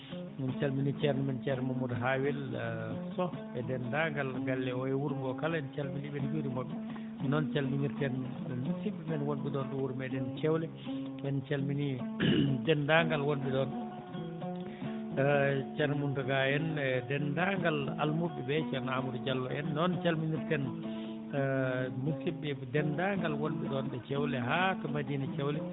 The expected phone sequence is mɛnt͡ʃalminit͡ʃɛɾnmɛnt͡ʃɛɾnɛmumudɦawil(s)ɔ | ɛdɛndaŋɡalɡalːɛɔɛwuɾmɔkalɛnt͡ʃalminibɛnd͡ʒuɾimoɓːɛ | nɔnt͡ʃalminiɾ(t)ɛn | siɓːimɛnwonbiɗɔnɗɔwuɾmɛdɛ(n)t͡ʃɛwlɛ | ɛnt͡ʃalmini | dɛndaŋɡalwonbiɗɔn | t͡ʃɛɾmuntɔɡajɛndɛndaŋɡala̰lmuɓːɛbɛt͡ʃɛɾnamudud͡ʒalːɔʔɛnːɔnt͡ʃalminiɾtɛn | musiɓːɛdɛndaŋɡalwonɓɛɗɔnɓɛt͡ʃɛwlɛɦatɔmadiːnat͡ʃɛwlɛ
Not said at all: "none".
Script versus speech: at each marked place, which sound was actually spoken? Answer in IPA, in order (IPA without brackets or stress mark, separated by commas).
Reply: s, t, n